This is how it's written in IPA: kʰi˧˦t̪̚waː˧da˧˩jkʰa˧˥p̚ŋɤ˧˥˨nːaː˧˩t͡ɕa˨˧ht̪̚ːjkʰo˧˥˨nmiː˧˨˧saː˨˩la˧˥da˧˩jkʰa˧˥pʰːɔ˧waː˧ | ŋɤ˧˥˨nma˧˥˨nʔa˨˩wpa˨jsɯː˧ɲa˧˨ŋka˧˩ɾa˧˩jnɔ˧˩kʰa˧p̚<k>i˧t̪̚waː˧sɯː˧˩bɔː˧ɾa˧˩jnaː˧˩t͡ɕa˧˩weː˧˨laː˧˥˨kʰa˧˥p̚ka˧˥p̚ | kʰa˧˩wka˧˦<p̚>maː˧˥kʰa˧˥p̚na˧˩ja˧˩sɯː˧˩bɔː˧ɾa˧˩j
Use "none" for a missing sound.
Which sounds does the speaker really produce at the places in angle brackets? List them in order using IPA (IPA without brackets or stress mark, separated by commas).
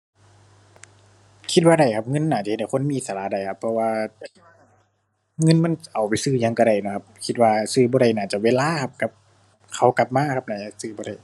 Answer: kʰ, p̚